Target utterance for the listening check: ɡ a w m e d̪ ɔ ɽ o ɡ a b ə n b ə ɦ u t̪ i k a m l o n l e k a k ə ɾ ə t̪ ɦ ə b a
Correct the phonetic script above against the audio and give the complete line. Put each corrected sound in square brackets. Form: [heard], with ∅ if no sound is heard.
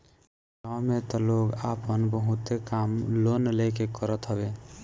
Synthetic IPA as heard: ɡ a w m e [t̪] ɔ [l] o ɡ a [p] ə n b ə ɦ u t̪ [e] k a m l o n l e k [e] k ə ɾ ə t̪ ɦ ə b [e]